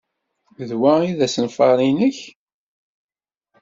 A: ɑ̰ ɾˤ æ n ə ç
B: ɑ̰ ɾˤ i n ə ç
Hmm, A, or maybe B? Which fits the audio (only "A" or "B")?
B